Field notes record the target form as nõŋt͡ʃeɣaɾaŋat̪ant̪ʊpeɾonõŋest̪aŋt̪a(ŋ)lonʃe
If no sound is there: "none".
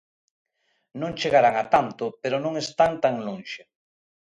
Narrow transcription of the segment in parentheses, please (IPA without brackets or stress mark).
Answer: ŋ